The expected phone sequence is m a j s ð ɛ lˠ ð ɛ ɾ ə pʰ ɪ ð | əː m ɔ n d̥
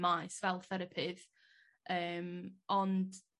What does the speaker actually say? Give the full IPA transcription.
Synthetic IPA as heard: m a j s v ɛ lˠ θ ɛ ɾ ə pʰ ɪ ð | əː m ɔ n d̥